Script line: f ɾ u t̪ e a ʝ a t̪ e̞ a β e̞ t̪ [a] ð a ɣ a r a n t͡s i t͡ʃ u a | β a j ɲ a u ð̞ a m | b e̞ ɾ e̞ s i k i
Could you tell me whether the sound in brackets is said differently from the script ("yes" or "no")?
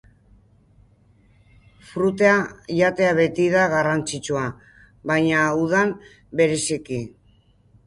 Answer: yes